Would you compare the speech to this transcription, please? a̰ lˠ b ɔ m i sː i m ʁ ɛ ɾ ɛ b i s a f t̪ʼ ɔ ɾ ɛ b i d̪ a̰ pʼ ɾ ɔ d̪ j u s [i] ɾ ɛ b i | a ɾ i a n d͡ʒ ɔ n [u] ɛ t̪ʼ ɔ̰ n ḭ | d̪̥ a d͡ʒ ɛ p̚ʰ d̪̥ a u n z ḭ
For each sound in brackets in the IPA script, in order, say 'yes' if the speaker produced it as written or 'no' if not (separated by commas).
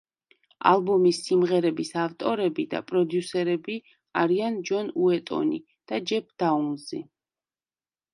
no, yes